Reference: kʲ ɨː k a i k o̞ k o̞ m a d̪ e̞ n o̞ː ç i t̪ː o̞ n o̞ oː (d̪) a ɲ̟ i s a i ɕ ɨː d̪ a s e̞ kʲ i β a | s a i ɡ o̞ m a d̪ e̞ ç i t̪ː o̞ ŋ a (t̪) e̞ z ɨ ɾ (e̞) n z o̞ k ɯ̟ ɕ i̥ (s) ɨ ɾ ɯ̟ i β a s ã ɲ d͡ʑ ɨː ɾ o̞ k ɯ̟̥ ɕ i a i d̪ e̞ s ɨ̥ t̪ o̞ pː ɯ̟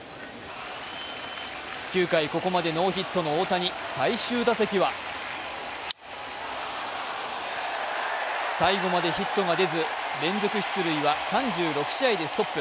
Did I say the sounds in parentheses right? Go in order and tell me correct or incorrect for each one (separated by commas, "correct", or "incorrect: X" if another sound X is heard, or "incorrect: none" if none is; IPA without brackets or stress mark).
incorrect: t̪, incorrect: d̪, incorrect: ẽ̞, incorrect: t͡s